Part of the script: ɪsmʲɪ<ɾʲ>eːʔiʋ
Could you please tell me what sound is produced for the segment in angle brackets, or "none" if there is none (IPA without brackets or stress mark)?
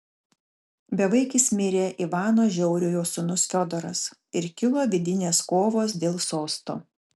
ɾʲ